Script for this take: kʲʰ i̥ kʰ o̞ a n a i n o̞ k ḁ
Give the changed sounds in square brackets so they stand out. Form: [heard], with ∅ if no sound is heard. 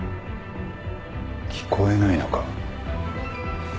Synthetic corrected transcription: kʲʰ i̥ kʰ o̞ [e] n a i n o̞ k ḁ